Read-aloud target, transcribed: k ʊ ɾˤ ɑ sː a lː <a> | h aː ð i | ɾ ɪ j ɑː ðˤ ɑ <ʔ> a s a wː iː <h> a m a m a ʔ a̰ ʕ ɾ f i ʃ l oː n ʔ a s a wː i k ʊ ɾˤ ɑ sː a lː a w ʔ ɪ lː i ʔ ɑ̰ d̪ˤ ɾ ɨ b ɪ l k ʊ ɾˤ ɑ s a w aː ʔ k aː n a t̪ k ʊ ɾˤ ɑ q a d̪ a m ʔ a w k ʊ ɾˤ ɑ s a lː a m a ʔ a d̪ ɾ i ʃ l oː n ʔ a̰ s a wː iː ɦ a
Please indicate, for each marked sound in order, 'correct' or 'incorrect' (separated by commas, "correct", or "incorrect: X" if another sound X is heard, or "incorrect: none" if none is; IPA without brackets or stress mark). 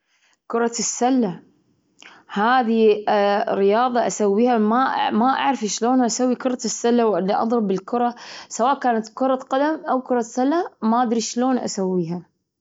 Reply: correct, correct, correct